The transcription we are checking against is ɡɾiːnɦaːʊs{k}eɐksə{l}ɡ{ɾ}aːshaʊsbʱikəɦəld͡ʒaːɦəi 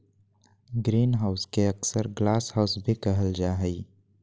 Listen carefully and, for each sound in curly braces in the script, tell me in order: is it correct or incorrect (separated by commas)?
correct, incorrect, incorrect